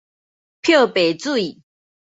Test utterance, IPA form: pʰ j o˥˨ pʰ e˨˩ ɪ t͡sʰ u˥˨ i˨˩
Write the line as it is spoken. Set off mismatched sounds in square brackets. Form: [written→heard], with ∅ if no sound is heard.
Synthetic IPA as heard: pʰ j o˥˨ [pʰ→p] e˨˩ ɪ [t͡sʰ→t͡s] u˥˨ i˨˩